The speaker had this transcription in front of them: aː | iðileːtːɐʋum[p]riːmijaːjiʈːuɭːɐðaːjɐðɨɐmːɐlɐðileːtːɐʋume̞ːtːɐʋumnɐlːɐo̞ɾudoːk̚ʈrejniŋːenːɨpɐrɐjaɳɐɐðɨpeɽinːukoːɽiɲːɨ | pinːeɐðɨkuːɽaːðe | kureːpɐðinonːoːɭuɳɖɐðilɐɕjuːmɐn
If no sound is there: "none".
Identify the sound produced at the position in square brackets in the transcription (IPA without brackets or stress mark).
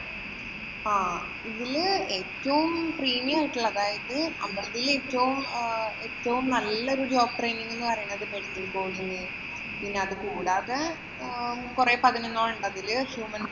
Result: p